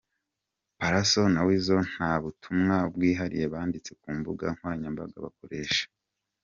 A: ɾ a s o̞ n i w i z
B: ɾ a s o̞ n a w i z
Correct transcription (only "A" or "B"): B